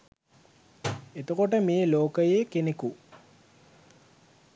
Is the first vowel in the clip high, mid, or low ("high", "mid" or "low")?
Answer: mid